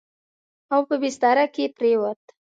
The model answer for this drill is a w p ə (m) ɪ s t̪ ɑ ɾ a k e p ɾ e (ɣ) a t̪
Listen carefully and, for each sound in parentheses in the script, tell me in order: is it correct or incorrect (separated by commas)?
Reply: incorrect, incorrect